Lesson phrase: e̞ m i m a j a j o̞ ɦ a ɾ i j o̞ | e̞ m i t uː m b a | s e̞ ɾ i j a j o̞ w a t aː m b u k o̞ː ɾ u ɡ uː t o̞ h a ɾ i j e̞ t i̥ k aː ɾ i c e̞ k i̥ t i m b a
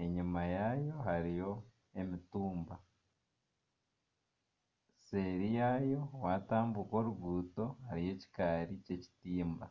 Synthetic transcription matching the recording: e̞ ɲ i m a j a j o̞ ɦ a ɾ i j o̞ | e̞ m i t uː m b a | s e̞ ɾ i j a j o̞ w a t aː m b u k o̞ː ɾ u ɡ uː t o̞ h a ɾ i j e̞ c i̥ k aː ɾ i c e̞ c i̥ t iː m b a